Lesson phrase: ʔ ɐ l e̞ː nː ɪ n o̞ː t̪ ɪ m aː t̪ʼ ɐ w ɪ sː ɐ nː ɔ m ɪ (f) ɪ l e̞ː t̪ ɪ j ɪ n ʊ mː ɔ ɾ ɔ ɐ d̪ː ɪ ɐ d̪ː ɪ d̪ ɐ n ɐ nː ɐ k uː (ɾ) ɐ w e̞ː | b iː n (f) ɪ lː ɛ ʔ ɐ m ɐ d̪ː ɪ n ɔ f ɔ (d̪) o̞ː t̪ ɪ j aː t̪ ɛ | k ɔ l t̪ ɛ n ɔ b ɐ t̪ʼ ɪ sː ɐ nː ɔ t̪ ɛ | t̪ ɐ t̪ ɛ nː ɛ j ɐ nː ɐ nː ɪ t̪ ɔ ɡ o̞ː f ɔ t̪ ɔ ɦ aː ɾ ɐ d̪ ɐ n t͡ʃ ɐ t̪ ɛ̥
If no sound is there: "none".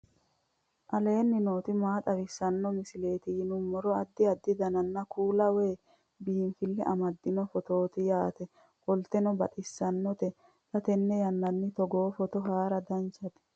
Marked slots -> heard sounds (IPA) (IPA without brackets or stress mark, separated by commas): s, l, f, t̪